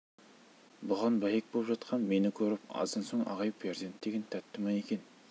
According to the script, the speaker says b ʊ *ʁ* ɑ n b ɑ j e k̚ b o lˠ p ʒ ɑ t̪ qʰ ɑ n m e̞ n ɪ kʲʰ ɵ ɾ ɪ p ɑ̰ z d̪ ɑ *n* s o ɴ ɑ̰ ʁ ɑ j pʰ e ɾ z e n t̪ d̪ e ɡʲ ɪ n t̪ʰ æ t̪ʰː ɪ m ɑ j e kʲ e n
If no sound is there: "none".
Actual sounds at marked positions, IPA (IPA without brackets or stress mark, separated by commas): ʁ, n